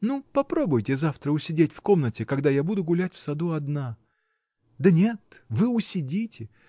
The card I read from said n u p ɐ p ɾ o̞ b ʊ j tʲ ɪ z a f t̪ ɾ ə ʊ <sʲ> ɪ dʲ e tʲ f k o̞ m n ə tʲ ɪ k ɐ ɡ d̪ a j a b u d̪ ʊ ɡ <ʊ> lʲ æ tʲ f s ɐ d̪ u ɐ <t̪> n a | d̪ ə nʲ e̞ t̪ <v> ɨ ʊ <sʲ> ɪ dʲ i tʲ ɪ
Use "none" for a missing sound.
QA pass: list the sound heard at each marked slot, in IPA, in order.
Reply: sʲ, ʊ, d̪, v, sʲ

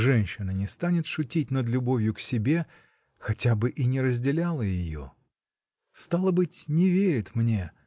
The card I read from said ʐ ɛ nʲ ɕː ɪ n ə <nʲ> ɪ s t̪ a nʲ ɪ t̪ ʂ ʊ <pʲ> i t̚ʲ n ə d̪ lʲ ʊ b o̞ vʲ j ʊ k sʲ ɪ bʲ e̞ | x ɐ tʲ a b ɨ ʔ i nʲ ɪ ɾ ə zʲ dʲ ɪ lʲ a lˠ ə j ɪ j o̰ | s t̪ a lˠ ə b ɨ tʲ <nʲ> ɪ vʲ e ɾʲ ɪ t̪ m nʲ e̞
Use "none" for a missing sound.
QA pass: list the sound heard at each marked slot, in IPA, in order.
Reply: nʲ, tʲ, nʲ

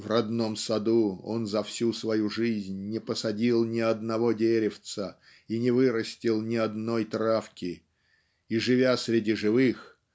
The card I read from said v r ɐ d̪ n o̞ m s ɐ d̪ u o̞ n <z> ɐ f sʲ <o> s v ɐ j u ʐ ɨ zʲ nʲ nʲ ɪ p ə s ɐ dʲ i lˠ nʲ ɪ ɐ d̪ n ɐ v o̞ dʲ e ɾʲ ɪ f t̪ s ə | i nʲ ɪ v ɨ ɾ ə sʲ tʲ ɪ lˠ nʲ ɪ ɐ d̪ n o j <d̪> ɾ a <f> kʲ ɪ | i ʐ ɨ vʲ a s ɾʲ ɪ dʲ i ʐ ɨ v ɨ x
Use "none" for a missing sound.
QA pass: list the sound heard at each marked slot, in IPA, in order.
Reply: z, u, t̪, f

